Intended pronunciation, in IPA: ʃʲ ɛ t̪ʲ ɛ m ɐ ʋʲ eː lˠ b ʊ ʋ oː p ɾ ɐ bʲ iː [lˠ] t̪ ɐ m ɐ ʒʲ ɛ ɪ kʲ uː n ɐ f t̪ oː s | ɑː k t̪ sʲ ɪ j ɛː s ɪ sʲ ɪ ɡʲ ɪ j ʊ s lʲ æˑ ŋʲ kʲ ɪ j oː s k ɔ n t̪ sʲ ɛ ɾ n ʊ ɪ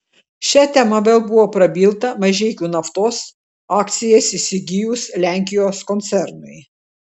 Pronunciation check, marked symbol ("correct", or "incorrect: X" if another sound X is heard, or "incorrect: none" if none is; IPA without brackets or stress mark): correct